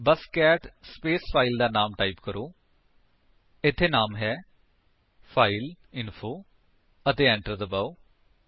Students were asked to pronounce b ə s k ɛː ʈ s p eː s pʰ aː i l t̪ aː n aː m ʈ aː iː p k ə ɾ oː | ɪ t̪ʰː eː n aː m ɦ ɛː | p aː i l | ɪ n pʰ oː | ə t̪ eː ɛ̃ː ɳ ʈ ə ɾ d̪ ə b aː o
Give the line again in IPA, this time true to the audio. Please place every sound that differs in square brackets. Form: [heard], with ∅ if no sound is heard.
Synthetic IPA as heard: b ə s k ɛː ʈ s p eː s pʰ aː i l [d̪] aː n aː m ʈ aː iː p k ə ɾ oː | ɪ t̪ʰː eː n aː m ɦ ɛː | [pʰ] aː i l | ɪ n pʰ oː | ə t̪ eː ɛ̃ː ɳ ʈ ə ɾ d̪ ə b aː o